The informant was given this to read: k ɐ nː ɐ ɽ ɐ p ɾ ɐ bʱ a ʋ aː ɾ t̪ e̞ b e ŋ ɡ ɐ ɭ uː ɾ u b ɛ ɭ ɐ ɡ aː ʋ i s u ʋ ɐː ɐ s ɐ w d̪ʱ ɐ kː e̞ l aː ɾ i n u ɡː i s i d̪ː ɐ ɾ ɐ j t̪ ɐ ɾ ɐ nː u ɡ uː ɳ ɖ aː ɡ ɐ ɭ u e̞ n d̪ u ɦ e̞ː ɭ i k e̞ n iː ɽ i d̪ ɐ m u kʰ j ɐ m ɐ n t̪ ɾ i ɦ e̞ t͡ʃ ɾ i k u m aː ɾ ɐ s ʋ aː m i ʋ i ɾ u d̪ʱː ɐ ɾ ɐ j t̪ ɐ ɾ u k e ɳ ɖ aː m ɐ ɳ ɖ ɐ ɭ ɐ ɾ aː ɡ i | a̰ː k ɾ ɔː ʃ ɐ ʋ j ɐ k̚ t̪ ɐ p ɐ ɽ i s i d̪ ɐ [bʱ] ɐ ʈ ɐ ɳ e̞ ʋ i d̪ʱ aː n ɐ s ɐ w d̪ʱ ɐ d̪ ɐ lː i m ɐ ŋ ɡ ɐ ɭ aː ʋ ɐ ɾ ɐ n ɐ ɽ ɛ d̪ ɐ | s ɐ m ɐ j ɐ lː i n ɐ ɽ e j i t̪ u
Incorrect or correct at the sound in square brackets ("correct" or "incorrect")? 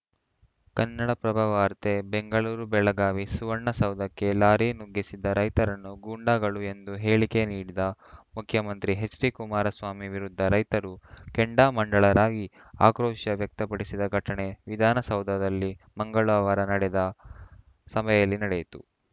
incorrect